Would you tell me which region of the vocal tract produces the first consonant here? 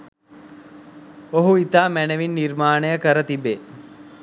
throat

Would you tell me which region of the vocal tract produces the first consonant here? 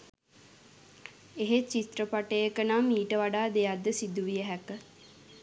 throat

